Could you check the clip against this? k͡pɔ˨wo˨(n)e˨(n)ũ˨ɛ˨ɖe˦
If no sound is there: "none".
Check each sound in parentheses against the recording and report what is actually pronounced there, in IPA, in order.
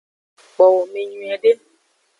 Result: m, ɲ

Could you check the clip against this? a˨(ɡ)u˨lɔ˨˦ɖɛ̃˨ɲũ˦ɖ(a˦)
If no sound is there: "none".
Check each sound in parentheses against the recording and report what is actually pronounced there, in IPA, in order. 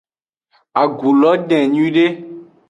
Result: ɡ, e˦

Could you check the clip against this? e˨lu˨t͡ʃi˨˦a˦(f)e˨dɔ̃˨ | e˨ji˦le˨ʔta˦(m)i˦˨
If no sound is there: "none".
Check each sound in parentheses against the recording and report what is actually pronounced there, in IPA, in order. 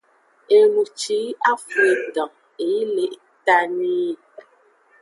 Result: f, n

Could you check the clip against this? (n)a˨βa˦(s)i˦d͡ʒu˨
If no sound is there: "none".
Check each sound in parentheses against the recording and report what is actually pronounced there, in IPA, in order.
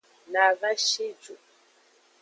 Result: n, ʃ

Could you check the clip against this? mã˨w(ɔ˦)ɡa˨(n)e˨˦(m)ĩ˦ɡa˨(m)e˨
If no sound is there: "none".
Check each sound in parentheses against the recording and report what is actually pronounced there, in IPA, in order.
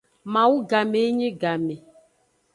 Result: u˦, m, ɲ, m

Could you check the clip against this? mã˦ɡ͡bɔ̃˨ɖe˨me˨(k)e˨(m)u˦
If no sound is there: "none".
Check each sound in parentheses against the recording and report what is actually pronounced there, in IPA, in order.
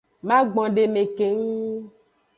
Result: k, ŋ

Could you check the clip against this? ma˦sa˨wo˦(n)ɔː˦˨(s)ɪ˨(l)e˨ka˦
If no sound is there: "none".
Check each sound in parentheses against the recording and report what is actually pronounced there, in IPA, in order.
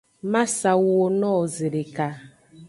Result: n, z, ɾ

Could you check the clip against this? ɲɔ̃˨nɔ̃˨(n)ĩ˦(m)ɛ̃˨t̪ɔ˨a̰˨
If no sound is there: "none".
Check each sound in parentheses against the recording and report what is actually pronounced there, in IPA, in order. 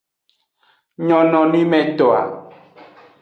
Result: n, m

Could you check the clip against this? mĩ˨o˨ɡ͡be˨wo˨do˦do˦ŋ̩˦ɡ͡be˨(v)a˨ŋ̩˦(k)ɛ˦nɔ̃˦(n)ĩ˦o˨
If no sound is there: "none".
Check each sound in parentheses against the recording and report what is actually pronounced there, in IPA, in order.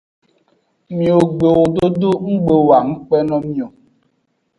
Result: w, k͡p, m

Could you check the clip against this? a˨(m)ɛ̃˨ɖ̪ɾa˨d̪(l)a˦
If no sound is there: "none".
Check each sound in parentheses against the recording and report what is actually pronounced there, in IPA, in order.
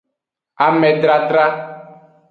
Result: m, ɾ

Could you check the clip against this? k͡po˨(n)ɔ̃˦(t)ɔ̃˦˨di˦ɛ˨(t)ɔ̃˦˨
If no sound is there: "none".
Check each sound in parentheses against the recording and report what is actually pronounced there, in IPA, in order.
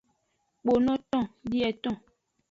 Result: n, t, t

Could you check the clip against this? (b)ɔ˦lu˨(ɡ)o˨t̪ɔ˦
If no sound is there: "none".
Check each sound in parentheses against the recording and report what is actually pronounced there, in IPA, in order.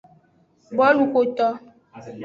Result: b, k

